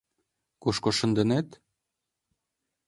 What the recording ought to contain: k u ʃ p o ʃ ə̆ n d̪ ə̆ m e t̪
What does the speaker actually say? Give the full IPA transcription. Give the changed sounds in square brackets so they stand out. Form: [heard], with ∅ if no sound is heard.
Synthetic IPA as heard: k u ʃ [k] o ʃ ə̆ n d̪ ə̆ [n] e t̪